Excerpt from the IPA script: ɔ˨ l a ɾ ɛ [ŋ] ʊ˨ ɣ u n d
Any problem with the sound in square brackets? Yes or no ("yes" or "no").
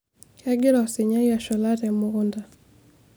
yes